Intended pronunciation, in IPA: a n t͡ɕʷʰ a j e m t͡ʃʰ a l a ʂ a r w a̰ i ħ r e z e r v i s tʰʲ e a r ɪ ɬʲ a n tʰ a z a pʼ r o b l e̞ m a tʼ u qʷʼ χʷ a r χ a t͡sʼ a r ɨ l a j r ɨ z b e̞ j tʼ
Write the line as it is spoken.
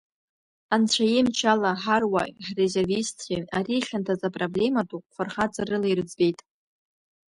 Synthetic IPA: a n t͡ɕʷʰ a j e m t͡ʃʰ a l a ħ a r w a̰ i ħ r e z e r v i s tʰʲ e a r i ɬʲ a n tʰ a z a pʼ r o b l e̞ m a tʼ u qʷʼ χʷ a r χ a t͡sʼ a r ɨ l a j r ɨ d͡z b e̞ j tʼ